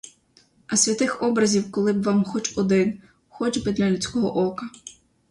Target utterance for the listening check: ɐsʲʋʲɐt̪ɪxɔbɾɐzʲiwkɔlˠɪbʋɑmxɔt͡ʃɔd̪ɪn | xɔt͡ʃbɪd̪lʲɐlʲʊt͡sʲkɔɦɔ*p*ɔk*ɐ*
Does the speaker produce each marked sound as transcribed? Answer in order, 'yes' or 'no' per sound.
no, yes

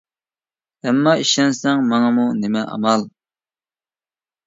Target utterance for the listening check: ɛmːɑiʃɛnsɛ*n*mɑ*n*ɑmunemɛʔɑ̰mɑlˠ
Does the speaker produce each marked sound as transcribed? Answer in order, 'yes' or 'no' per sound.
no, no

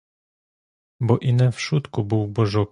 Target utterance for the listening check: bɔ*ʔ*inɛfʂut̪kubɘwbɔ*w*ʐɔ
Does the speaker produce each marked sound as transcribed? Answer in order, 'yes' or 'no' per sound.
yes, no

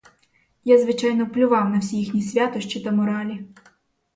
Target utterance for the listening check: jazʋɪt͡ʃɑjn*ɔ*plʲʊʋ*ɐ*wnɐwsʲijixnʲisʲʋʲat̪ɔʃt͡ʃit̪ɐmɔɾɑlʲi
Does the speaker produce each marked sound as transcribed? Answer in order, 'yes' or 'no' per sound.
yes, no

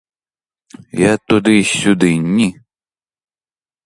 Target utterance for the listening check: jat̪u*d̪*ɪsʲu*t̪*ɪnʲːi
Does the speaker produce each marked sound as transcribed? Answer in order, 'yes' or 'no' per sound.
yes, no

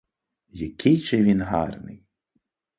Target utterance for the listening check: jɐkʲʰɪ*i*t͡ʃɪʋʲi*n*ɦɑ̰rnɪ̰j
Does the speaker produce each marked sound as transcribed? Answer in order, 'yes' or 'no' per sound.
no, yes

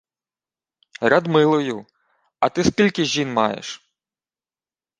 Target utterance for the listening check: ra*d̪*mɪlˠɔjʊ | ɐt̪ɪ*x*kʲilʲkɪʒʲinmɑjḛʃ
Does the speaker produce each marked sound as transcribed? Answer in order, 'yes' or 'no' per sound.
yes, no

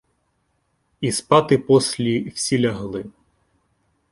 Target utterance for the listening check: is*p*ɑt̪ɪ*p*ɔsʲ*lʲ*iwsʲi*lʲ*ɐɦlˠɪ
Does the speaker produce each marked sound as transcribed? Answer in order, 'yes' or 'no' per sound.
yes, yes, yes, yes

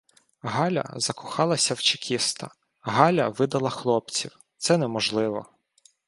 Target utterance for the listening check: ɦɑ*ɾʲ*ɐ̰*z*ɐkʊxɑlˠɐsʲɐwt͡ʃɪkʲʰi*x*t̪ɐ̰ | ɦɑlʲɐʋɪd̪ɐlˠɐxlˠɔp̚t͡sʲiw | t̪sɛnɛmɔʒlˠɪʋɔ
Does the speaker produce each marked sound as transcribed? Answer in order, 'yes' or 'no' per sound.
no, yes, no

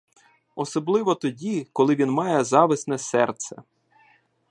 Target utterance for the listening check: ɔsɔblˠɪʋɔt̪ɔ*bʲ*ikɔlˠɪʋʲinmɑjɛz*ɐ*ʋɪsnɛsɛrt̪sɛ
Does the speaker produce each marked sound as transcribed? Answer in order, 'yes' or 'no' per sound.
no, no

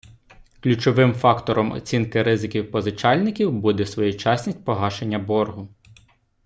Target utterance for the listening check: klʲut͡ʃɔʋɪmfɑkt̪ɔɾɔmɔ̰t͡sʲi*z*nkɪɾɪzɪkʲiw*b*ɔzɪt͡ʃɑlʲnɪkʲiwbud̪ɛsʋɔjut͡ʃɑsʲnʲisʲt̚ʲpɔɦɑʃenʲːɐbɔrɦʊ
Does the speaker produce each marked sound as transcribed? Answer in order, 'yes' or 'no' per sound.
no, no

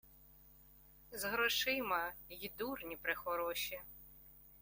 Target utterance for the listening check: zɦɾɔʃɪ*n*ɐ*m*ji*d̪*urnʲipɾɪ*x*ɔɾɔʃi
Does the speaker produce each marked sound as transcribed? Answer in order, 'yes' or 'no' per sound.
no, no, yes, yes

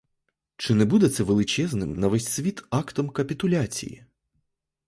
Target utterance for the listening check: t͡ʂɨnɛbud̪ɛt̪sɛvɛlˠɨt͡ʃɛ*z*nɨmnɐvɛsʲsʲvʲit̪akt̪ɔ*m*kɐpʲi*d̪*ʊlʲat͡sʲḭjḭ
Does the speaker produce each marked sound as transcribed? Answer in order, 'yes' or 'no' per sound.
yes, yes, no

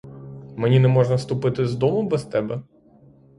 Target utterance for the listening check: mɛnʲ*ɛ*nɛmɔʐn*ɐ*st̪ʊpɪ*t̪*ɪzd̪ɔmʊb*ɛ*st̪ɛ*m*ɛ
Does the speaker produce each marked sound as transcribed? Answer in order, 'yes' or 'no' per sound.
no, yes, yes, yes, no

